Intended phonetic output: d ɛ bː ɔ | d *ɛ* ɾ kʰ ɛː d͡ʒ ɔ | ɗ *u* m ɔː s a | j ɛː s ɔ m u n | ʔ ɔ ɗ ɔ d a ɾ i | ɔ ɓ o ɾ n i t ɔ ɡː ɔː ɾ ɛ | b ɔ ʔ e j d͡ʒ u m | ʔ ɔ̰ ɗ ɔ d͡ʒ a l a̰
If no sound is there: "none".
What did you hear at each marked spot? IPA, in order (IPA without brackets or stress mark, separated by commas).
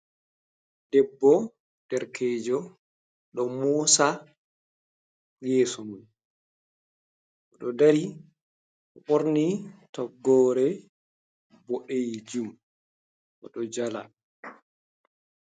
ɛ, ɔ